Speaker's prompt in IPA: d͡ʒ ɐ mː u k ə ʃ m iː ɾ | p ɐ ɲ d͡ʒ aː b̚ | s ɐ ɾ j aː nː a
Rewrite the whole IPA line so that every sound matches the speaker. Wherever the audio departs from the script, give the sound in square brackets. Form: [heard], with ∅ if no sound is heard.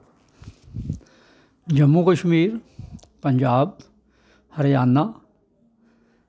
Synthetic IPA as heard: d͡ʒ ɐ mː u k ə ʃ m iː ɾ | p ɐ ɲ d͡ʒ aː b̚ | [h] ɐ ɾ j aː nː a

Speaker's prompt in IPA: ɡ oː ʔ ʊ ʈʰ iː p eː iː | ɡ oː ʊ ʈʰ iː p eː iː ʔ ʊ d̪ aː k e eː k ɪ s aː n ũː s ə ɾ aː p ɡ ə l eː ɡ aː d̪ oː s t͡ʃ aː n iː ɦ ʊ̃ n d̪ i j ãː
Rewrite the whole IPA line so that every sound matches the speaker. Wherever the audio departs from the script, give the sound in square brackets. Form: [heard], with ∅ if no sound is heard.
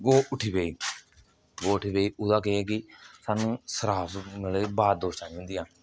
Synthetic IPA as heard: ɡ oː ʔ ʊ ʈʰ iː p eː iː | ɡ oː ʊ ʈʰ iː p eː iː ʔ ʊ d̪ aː k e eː k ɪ s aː n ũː s ə ɾ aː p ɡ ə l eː [b] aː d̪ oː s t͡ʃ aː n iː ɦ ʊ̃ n d̪ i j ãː

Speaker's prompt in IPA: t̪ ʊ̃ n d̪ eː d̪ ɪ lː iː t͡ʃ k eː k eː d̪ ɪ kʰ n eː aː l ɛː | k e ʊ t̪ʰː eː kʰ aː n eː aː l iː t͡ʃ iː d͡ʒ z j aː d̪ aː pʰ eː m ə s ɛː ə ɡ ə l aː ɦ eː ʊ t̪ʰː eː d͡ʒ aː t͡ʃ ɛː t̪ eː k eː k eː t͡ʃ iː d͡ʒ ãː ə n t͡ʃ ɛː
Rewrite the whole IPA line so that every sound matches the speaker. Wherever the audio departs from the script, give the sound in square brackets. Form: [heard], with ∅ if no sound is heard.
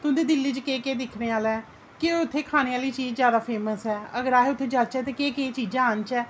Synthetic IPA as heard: t̪ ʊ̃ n d̪ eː d̪ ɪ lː iː t͡ʃ k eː k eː d̪ ɪ kʰ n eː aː l ɛː | k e ʊ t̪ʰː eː kʰ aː n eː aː l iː t͡ʃ iː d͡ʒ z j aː d̪ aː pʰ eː m ə s ɛː ə ɡ ə [ɾ] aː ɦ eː ʊ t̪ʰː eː d͡ʒ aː t͡ʃ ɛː t̪ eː k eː k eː t͡ʃ iː d͡ʒ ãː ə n t͡ʃ ɛː

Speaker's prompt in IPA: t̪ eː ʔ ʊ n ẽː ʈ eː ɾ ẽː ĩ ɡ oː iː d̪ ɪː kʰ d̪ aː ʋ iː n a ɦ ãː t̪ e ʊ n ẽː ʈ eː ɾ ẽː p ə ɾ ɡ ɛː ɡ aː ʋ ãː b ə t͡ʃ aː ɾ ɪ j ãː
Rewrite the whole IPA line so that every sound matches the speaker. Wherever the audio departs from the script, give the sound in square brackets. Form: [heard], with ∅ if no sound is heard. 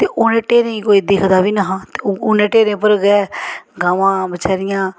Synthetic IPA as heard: t̪ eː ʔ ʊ n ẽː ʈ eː ɾ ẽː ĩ [k] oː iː d̪ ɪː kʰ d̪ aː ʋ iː n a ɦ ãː t̪ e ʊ n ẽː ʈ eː ɾ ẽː p ə ɾ ɡ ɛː ɡ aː ʋ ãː b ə t͡ʃ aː ɾ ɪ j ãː

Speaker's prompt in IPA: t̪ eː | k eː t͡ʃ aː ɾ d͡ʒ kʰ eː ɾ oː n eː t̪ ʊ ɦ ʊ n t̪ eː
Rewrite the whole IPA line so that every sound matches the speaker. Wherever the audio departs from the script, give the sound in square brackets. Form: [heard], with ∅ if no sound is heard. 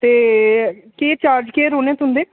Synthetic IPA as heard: t̪ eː | k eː t͡ʃ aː ɾ d͡ʒ [k] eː ɾ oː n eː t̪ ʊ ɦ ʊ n [d̪] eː

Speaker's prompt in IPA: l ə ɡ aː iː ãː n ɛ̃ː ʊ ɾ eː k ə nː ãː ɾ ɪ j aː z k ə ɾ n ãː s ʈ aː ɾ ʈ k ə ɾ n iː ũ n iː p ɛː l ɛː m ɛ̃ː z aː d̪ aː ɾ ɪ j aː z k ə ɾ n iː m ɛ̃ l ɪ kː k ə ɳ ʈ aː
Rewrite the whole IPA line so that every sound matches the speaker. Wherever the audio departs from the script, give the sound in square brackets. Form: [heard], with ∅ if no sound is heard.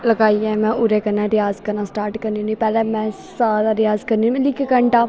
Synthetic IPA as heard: l ə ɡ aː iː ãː [m] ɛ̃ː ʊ ɾ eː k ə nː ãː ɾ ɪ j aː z k ə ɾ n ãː s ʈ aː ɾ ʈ k ə ɾ n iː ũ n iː p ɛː l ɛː m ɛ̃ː [s] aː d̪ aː ɾ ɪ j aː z k ə ɾ n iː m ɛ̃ l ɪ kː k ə ɳ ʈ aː

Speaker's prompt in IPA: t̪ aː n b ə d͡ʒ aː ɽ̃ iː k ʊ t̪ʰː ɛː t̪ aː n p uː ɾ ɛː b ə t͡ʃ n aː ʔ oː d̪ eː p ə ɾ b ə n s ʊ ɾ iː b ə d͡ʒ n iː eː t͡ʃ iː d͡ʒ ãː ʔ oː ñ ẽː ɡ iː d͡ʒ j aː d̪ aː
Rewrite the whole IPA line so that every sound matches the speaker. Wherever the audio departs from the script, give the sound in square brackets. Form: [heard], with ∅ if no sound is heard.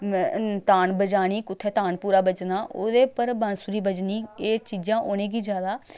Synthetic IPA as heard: t̪ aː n b ə d͡ʒ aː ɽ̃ iː k ʊ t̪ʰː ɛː t̪ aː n p uː ɾ [aː] b ə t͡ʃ n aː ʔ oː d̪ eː p ə ɾ b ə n s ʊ ɾ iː b ə d͡ʒ n iː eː t͡ʃ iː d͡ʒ ãː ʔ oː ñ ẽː ɡ iː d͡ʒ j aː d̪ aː

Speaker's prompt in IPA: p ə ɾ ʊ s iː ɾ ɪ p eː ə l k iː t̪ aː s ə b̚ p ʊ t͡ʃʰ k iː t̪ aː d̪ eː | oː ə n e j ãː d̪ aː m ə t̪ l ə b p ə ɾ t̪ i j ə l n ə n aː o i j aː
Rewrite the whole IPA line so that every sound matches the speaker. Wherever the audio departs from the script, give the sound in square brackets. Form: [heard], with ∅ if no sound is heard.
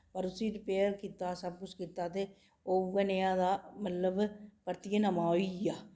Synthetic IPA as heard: p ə ɾ ʊ s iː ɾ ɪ p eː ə [ɾ] k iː t̪ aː s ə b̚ [k] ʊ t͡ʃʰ k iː t̪ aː [t̪] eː | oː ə n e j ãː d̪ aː m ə t̪ l ə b p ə ɾ t̪ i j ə [∅] n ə [m] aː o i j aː

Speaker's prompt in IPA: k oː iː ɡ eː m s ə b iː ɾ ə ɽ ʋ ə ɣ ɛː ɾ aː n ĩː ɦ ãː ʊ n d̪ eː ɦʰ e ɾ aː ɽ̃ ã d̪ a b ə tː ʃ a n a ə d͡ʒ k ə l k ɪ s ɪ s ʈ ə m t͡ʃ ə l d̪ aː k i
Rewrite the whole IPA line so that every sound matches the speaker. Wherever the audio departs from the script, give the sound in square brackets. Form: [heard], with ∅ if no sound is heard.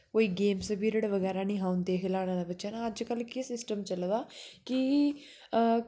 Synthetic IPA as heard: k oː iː ɡ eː m s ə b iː ɾ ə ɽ ʋ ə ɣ ɛː ɾ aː n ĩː ɦ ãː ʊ n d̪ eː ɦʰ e [l] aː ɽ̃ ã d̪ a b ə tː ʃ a n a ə d͡ʒ k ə l k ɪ s ɪ s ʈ ə m t͡ʃ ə l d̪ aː k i

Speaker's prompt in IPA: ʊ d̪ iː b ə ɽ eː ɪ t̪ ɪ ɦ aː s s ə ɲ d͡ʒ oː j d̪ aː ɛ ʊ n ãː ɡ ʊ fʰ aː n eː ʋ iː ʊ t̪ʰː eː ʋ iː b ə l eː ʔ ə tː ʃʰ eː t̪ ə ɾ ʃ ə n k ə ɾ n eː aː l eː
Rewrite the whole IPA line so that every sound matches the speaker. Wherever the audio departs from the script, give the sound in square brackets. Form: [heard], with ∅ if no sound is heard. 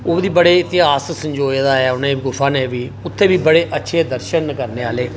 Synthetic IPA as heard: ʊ d̪ iː b ə ɽ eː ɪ t̪ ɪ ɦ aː s s ə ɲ d͡ʒ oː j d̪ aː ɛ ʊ n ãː ɡ ʊ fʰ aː n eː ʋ iː ʊ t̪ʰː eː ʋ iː b ə [ɽ] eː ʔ ə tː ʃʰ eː [d̪] ə ɾ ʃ ə n k ə ɾ n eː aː l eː

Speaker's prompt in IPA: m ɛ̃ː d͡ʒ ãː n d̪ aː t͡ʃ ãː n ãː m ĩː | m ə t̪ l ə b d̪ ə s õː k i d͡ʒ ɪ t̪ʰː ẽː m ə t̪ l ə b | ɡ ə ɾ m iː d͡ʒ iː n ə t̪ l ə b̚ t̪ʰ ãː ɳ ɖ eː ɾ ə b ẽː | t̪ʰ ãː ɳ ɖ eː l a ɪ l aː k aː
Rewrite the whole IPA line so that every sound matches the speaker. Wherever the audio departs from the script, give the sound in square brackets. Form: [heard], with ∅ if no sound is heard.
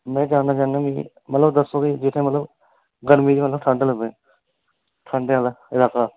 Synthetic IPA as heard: m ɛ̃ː d͡ʒ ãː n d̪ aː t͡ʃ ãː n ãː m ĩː | m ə t̪ l ə b d̪ ə s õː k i d͡ʒ ɪ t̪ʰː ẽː m ə t̪ l ə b | ɡ ə ɾ m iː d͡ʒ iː [m] ə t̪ l ə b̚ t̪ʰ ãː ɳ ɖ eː [l] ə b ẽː | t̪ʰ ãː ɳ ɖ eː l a ɪ l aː k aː

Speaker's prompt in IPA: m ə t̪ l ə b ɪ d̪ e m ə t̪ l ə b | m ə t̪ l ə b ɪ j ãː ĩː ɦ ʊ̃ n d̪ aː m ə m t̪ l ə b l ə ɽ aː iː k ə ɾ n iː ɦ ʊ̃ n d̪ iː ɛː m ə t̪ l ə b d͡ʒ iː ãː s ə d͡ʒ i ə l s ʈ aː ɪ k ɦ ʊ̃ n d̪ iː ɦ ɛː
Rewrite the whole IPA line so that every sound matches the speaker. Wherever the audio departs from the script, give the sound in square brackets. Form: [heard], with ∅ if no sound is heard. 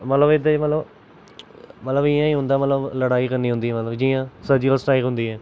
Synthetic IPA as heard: m ə t̪ l ə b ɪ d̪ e m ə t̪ l ə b | m ə t̪ l ə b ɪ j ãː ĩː ɦ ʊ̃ n d̪ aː m ə [∅] t̪ l ə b l ə ɽ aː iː k ə ɾ n iː ɦ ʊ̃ n d̪ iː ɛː m ə t̪ l ə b d͡ʒ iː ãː s ə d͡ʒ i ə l s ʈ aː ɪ k ɦ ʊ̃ n d̪ iː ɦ ɛː

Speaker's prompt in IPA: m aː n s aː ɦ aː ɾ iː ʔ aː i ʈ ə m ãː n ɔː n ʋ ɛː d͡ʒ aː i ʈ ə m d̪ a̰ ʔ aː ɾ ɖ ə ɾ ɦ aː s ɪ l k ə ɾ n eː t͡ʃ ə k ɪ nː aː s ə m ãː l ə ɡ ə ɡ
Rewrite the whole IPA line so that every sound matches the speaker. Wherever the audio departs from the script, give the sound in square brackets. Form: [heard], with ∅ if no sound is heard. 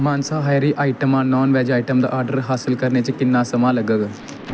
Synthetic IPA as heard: m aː n s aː ɦ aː ɾ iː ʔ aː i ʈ ə m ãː n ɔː n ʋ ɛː d͡ʒ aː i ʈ ə m d̪ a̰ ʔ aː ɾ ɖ ə ɾ ɦ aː s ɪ l k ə ɾ n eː t͡ʃ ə k ɪ nː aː s ə m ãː l ə ɡ ə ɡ

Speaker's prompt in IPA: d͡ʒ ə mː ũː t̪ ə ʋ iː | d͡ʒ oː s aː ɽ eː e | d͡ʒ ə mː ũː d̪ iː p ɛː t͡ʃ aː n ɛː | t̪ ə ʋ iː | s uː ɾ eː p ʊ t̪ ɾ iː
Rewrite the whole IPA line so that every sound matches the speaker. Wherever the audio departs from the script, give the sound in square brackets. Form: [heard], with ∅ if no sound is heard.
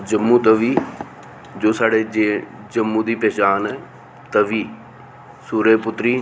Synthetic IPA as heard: d͡ʒ ə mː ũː t̪ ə ʋ iː | d͡ʒ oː s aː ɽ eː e | d͡ʒ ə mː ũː d̪ iː p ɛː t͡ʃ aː n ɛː | t̪ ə ʋ iː | s uː ɾ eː p ʊ t̪ ɾ iː

